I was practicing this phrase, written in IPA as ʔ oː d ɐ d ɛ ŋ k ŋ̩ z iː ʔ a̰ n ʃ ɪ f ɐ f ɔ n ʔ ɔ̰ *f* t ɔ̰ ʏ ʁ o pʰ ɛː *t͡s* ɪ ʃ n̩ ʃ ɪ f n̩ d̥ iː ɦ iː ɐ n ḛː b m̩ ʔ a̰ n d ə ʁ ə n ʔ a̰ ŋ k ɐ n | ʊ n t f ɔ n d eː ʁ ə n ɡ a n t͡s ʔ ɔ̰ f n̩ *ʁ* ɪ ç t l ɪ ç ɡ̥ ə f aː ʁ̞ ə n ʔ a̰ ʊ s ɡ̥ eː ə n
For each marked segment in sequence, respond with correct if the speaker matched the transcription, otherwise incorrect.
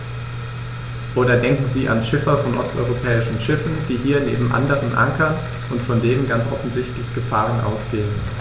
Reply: incorrect: s, incorrect: none, incorrect: z

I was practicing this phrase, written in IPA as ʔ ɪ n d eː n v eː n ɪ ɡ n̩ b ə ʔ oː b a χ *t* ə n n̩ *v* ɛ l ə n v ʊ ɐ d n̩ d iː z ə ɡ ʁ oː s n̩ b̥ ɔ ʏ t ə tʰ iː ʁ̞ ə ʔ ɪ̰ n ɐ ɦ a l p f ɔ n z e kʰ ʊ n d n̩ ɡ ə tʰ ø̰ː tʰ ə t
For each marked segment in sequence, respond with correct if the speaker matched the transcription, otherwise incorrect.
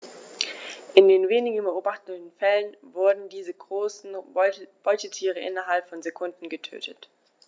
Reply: correct, incorrect: f

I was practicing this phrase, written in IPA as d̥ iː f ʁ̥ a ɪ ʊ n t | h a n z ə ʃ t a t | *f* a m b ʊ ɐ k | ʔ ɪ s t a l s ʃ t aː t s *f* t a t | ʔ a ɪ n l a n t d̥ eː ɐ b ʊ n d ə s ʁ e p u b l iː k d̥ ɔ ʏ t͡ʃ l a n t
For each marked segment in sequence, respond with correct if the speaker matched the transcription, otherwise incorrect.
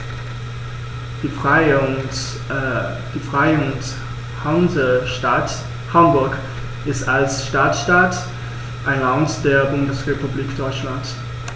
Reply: incorrect: h, incorrect: ʃ

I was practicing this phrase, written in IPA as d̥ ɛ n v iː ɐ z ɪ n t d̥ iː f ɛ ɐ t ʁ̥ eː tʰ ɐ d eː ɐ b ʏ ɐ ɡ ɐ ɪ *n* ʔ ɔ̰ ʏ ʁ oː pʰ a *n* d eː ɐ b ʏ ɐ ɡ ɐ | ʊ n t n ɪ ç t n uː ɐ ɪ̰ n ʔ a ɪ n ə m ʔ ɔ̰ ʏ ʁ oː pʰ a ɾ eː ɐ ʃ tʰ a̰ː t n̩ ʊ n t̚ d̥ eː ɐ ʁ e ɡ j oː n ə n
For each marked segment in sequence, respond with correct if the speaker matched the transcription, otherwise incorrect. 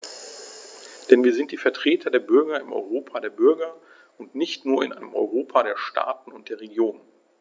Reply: incorrect: m, incorrect: none

